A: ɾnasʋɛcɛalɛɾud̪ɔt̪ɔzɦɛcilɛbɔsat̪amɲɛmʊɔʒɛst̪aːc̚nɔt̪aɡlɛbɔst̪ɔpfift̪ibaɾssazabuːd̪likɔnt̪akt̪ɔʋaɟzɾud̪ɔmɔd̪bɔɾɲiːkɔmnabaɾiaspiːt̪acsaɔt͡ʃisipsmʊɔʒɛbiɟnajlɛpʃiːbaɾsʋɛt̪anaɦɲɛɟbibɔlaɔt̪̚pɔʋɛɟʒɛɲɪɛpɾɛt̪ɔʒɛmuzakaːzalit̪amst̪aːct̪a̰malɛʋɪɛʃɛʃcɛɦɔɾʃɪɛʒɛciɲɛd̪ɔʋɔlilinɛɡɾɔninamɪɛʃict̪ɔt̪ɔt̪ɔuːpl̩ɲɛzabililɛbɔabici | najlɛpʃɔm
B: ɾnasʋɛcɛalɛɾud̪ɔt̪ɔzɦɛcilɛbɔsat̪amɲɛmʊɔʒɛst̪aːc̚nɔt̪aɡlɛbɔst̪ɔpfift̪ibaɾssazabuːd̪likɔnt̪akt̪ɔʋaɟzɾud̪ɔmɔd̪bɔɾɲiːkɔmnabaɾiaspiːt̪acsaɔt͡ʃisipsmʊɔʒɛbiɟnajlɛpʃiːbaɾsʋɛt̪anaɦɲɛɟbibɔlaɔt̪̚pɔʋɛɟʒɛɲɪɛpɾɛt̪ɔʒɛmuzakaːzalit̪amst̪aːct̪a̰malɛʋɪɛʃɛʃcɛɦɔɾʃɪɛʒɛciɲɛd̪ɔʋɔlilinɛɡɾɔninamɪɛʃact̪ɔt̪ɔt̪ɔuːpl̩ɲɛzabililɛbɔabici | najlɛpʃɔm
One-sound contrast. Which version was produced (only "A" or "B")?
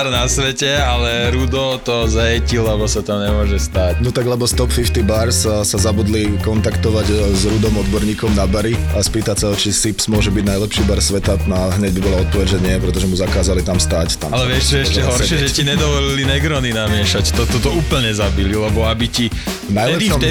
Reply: B